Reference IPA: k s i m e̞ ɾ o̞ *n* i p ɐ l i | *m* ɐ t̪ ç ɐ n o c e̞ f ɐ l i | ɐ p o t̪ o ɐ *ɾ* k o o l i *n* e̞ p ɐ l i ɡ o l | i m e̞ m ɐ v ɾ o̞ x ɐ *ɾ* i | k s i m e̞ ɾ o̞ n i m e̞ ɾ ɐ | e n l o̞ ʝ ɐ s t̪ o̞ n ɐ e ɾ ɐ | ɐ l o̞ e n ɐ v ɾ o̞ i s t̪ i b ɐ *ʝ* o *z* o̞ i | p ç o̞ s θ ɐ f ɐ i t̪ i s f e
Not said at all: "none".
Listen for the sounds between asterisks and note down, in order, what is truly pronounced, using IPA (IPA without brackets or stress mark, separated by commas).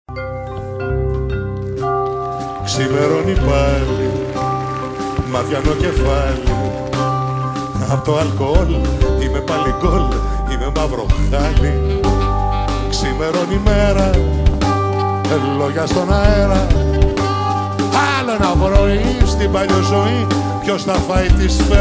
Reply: n, m, l, m, l, ʎ, z